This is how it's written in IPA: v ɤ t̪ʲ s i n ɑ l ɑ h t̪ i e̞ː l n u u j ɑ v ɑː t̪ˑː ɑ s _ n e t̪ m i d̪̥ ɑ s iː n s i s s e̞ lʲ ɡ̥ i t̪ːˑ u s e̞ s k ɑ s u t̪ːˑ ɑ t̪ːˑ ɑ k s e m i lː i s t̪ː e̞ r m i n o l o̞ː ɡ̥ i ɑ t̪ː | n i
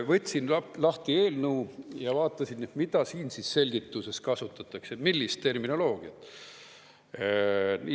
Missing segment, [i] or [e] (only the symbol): i